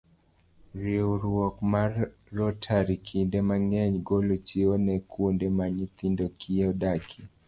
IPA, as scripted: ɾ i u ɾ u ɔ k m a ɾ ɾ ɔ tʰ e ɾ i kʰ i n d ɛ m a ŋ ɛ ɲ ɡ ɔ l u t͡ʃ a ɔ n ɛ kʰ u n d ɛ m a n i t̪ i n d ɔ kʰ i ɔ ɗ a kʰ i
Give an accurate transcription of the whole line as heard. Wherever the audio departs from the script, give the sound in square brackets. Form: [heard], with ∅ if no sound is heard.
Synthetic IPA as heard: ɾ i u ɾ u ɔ k m a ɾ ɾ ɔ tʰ [a] ɾ i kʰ i n d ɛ m a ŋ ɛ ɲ ɡ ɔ l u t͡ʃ [i] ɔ n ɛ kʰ u n d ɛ m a [ɲ] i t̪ i n d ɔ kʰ i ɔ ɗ a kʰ i

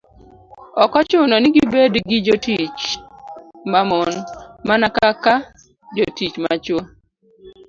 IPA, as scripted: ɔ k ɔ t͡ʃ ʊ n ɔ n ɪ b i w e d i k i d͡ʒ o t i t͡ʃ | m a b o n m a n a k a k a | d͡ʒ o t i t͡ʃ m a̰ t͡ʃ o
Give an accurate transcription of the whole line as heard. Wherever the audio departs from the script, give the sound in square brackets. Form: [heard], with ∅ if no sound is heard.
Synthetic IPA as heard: ɔ k ɔ t͡ʃ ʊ n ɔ n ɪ [ɡ] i [b] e d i [ɡ] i d͡ʒ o t i t͡ʃ | m a [m] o n m a n a k a k a | d͡ʒ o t i t͡ʃ m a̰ t͡ʃ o

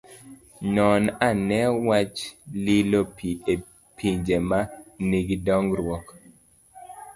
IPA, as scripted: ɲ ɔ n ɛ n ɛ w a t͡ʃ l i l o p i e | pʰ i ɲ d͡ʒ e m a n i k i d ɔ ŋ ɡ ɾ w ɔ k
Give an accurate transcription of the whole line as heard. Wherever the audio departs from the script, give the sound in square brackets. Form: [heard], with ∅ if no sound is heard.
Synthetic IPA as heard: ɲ ɔ n [a] n ɛ w a t͡ʃ l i l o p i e | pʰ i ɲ d͡ʒ e m a n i [ɡ] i d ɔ ŋ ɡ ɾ w ɔ k

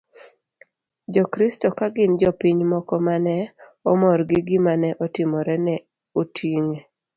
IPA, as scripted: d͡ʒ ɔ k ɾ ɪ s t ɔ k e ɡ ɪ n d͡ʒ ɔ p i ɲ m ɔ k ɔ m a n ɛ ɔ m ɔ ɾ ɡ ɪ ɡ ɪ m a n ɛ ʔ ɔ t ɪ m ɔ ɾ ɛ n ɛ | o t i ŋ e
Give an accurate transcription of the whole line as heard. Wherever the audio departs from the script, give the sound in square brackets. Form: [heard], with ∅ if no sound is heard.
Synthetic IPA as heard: d͡ʒ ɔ k ɾ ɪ s t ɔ k [a] ɡ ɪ n d͡ʒ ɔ p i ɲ m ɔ k ɔ m a n ɛ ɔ m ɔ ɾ ɡ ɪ ɡ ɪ m a n ɛ ʔ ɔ t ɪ m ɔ ɾ ɛ n ɛ | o t i ŋ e

